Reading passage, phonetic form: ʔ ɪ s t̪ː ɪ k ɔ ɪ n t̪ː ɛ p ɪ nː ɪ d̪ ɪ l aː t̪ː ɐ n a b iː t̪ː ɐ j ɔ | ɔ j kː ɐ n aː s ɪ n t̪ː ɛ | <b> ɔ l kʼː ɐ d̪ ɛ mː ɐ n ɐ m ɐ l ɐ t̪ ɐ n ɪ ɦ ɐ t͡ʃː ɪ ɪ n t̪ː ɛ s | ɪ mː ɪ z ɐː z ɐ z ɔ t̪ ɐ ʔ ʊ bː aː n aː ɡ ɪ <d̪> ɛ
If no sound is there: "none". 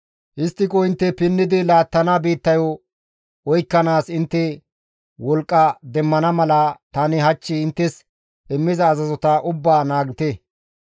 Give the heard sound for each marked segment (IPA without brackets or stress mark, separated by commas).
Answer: w, t̪